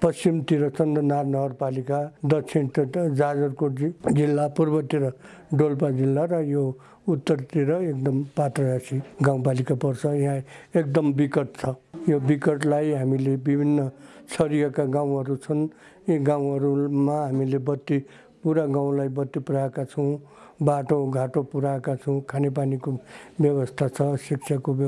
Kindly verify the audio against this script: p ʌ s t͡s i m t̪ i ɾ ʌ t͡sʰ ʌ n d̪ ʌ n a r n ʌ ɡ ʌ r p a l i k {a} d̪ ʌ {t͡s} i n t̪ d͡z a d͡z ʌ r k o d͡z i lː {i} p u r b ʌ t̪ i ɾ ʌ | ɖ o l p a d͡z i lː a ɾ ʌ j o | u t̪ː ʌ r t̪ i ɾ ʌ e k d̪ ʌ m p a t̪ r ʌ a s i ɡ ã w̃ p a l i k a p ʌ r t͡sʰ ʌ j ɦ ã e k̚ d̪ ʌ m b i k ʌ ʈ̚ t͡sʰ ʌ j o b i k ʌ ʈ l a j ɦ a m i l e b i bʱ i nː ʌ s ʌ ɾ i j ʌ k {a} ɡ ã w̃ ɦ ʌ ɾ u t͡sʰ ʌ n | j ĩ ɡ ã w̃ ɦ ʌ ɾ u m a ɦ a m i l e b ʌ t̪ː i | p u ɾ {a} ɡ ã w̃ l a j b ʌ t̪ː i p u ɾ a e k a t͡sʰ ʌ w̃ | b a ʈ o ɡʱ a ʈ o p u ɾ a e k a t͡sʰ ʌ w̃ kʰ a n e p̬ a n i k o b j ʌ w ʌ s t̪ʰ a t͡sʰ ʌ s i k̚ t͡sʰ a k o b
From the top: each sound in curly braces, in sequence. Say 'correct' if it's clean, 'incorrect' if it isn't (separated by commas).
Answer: correct, incorrect, incorrect, correct, correct